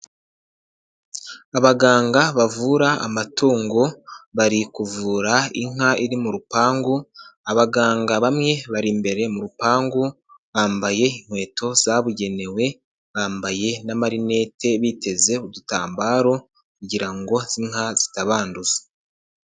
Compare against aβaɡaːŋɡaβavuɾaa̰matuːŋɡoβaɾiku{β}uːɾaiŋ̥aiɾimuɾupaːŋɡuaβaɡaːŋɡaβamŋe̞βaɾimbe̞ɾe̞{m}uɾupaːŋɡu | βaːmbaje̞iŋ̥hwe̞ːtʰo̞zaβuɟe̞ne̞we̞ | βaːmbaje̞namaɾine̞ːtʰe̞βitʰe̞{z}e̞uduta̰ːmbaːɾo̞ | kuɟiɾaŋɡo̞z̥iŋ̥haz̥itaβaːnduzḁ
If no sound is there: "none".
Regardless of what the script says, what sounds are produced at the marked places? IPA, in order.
v, m, z

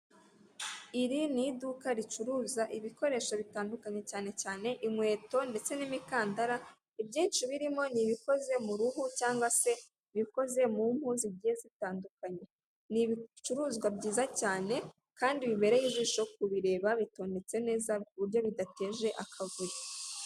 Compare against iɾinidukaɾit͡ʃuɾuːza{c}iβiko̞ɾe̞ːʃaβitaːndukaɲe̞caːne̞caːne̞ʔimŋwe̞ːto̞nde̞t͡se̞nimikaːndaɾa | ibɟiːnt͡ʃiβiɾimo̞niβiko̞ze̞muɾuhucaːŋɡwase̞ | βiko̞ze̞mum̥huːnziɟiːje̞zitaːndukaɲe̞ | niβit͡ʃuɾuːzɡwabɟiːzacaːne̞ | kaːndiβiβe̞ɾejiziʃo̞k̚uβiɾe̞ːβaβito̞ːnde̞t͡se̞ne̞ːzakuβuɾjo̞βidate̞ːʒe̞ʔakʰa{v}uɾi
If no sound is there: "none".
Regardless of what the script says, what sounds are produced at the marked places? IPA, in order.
ʔ, v

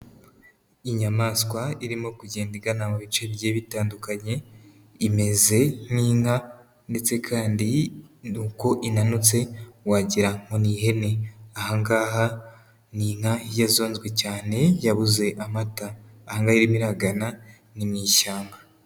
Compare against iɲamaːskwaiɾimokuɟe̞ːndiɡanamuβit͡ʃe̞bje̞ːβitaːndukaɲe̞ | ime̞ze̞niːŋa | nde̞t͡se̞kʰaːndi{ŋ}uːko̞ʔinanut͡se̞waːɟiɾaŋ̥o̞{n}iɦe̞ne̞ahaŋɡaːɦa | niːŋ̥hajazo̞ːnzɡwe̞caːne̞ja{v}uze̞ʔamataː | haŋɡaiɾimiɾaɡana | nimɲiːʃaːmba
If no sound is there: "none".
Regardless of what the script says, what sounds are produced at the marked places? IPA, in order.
n, n, β

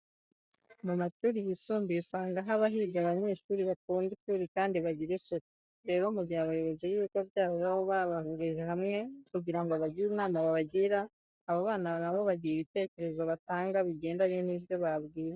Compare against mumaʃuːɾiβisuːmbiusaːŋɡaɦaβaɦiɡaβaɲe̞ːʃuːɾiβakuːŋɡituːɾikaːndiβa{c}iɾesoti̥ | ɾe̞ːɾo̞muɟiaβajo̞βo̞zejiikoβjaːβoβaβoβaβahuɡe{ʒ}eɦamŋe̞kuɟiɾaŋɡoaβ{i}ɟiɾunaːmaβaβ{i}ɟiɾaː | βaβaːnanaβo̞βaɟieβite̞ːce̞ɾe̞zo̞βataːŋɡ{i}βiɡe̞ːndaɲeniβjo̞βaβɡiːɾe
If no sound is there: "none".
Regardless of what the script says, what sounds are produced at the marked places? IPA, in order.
ɟ, ʒ, a, a, a

